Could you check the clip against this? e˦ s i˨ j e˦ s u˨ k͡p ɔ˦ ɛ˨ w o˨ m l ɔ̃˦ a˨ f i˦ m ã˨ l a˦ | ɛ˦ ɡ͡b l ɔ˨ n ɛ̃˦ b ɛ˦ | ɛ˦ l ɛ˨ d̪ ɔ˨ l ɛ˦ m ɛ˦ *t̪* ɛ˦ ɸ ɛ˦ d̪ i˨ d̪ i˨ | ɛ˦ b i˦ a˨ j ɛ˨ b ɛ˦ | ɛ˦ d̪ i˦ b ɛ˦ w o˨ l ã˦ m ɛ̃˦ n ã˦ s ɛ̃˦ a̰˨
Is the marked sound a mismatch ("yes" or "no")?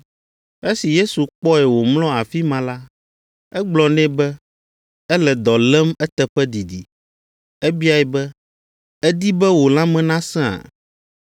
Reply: no